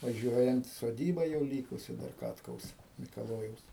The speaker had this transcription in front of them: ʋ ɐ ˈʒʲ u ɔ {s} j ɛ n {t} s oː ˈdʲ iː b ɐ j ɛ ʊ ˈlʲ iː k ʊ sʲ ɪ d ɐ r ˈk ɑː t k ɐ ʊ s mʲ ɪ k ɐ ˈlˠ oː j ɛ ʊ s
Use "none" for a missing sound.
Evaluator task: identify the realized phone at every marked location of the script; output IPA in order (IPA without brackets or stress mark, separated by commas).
none, t